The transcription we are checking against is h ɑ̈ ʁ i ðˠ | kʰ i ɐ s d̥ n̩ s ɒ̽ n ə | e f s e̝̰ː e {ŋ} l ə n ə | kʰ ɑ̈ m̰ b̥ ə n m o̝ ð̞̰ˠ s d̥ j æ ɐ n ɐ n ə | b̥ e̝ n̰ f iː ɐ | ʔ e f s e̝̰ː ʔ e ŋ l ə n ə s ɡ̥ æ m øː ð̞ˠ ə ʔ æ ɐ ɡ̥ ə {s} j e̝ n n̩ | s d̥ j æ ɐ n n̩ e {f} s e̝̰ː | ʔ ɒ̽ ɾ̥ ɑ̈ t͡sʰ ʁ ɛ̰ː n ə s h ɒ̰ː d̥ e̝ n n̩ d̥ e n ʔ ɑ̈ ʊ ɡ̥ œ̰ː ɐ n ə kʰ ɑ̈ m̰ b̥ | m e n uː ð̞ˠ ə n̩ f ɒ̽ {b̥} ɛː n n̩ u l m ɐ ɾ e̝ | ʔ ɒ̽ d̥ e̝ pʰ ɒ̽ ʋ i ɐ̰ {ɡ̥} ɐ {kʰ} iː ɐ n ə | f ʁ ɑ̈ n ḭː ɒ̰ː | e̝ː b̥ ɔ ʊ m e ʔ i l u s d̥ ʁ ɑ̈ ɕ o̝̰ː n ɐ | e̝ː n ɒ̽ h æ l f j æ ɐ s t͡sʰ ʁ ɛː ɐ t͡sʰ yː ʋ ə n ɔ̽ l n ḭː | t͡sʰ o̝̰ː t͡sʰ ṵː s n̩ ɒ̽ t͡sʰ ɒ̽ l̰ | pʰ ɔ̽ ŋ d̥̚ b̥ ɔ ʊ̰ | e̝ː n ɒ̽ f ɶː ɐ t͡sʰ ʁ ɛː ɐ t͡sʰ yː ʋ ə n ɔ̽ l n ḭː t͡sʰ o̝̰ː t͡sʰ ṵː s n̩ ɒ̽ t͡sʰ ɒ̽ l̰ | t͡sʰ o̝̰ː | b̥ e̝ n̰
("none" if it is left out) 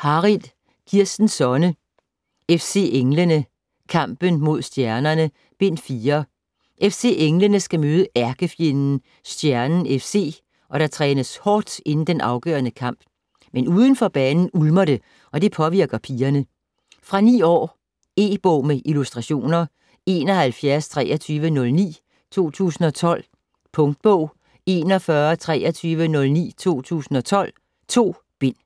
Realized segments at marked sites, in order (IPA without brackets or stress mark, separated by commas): ŋ, f, f, b̥, ɡ̥, pʰ